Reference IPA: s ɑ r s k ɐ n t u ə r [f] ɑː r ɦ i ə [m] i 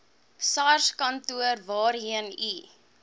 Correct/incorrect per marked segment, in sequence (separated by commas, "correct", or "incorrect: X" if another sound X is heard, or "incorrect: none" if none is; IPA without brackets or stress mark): incorrect: v, incorrect: n